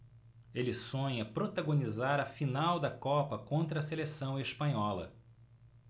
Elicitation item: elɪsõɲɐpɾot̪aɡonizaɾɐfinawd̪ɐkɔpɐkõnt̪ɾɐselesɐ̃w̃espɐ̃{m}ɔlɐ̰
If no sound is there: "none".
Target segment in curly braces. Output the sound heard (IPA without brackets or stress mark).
ɲ